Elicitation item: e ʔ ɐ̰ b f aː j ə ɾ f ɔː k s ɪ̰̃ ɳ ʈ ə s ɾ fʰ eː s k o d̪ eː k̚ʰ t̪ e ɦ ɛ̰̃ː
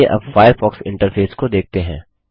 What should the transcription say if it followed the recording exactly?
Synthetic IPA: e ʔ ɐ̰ b f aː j ə ɾ f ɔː k s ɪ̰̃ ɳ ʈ ə ɾ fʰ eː s k o d̪ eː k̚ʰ t̪ e ɦ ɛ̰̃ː